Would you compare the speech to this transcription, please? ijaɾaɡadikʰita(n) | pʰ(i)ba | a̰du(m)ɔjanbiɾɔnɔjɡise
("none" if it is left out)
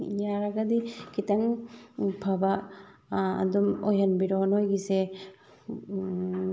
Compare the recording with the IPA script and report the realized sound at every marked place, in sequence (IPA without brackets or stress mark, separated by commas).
ŋ, a, m